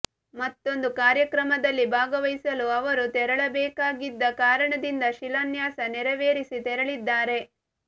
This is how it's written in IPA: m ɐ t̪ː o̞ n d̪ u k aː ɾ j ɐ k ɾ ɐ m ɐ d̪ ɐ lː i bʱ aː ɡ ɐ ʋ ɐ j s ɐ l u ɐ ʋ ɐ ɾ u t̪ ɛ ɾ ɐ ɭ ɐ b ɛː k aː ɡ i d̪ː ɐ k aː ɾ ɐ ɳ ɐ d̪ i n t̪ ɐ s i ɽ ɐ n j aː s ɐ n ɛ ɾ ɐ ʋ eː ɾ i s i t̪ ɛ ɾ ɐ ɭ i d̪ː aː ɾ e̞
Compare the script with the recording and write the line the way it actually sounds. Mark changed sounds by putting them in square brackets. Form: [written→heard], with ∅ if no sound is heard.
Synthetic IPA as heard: m ɐ t̪ː o̞ n d̪ u k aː ɾ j ɐ k ɾ ɐ m ɐ d̪ ɐ lː i bʱ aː ɡ ɐ ʋ ɐ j s ɐ l u ɐ ʋ ɐ ɾ u t̪ ɛ ɾ ɐ ɭ ɐ b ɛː k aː ɡ i d̪ː ɐ k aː ɾ ɐ ɳ ɐ d̪ i n [t̪→d̪] ɐ [s→ʃ] i [ɽ→l] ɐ n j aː s ɐ n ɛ ɾ ɐ ʋ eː ɾ i s i t̪ ɛ ɾ ɐ ɭ i d̪ː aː ɾ e̞